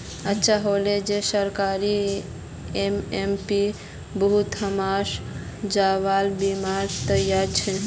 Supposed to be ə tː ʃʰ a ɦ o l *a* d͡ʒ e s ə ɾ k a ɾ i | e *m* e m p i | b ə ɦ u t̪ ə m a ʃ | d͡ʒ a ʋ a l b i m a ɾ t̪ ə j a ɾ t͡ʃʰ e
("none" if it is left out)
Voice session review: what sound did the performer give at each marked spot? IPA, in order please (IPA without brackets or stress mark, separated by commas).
e, m